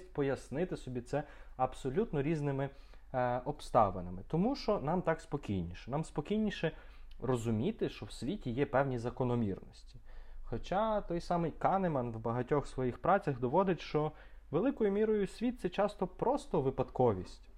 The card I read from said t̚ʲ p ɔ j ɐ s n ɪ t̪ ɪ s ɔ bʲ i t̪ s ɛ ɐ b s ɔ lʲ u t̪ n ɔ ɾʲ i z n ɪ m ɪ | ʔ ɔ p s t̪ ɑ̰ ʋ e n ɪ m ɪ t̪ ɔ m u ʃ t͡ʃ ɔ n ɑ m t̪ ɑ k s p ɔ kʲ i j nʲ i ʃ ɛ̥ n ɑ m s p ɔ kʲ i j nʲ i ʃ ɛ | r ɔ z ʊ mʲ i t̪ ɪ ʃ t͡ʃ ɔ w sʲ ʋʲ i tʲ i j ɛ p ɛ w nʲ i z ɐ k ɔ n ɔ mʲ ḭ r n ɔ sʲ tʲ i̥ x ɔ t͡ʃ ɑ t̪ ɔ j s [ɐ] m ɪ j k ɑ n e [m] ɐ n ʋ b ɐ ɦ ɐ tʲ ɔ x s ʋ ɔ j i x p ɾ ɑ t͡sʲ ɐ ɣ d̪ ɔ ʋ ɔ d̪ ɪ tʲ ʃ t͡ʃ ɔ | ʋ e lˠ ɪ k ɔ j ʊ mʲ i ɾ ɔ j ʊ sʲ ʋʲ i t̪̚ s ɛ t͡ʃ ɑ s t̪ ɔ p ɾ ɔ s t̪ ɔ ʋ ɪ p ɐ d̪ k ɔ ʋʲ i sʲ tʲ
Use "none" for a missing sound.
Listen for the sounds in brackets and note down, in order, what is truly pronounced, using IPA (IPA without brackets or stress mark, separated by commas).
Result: ɑ, m